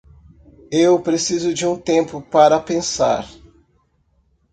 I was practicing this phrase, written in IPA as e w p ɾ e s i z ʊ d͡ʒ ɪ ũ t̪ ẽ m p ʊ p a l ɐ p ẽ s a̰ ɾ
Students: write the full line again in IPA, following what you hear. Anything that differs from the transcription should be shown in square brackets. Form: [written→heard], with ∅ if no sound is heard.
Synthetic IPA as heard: e w p ɾ e s i z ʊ d͡ʒ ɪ ũ t̪ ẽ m p ʊ p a [l→ɾ] ɐ p ẽ s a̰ ɾ